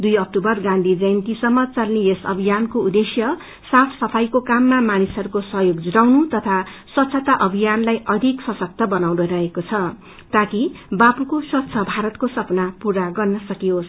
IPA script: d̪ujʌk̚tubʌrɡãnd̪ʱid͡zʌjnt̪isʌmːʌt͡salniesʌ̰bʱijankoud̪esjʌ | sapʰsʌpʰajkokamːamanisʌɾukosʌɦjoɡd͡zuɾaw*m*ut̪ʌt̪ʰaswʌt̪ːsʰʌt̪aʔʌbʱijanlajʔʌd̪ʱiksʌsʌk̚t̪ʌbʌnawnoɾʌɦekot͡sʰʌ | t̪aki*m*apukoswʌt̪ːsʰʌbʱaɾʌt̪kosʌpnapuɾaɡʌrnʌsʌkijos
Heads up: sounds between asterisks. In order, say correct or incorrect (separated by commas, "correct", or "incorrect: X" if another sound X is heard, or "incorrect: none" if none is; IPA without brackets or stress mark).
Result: incorrect: n, incorrect: b